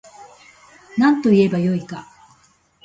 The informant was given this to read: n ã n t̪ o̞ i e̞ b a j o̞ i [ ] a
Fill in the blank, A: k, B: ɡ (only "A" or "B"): A